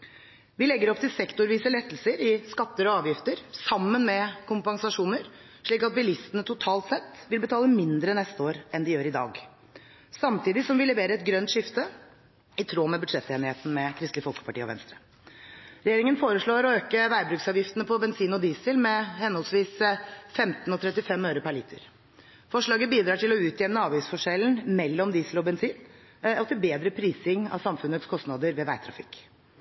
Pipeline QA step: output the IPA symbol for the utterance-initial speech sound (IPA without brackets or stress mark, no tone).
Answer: ʋ